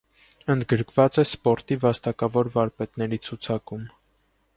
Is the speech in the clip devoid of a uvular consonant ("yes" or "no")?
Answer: yes